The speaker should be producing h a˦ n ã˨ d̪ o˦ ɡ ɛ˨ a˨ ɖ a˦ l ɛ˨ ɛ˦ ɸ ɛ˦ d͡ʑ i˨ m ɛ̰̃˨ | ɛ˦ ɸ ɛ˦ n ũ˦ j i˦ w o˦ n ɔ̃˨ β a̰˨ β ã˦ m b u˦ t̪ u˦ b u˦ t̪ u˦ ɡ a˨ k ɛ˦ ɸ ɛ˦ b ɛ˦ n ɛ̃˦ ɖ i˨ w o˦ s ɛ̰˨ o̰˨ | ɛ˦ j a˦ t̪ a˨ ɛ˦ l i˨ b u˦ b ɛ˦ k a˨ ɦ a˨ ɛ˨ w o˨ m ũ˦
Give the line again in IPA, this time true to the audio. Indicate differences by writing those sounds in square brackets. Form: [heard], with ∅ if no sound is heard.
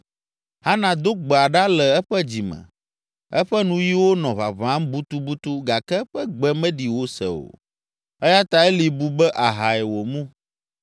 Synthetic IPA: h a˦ n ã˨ d̪ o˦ [ɡ͡b] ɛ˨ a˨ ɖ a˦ l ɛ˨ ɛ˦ ɸ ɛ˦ d͡ʑ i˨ m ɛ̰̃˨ | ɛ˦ ɸ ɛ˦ n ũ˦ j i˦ w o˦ n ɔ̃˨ β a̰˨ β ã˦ m b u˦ t̪ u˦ b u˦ t̪ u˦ ɡ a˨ k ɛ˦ ɸ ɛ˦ [ɡ͡b] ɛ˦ [m] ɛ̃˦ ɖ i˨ w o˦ s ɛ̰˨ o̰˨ | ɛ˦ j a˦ t̪ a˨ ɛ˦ l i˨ b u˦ b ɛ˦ [ʔ] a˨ ɦ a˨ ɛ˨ w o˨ m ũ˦